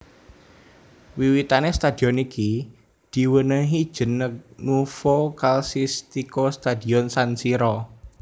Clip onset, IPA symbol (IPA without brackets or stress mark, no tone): w